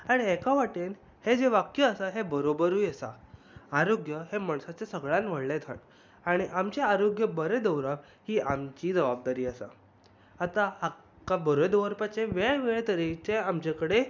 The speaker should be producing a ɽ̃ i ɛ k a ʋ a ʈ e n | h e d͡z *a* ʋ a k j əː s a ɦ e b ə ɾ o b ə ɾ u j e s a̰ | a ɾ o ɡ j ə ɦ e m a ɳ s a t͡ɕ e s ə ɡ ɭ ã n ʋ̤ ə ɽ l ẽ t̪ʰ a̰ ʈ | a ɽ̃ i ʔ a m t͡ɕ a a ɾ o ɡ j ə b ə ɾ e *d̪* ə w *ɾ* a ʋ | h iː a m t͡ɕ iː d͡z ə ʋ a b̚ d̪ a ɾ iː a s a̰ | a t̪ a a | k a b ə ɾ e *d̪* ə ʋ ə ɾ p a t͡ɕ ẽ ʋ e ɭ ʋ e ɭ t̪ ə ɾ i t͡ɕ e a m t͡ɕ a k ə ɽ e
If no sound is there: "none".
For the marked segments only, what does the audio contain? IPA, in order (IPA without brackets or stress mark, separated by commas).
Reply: e, d̪, ɾ, d̪